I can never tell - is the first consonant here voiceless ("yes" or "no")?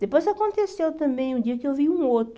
no